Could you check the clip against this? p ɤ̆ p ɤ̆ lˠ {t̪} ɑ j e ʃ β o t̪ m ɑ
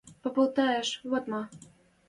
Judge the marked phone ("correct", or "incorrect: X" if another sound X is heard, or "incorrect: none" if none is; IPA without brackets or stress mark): correct